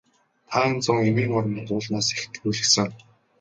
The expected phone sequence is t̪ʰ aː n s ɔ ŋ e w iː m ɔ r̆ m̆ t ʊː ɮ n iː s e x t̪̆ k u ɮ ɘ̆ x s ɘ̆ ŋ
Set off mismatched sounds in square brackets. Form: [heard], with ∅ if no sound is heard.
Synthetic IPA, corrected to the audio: t̪ʰ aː n [t͡s] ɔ ŋ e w iː [ŋ] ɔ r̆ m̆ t ʊː ɮ n [aː] s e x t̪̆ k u ɮ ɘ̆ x s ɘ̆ ŋ